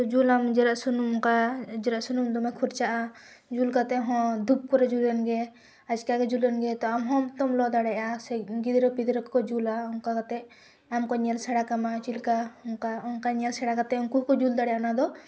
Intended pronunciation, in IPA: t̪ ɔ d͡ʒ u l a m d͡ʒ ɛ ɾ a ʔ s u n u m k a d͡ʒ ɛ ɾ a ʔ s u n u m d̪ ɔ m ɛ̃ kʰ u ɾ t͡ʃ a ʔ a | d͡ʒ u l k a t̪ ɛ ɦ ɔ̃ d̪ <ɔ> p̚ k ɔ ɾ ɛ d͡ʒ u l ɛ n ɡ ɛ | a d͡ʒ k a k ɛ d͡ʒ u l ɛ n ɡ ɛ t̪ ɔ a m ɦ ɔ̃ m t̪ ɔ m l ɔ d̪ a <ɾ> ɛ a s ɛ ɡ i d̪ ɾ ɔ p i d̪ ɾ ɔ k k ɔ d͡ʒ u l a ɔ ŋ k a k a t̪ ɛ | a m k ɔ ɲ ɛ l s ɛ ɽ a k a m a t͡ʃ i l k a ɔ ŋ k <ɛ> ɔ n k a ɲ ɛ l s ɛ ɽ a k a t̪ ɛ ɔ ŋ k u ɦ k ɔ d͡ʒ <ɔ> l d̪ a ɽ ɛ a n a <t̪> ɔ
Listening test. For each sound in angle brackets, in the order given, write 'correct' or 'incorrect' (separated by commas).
incorrect, incorrect, incorrect, incorrect, incorrect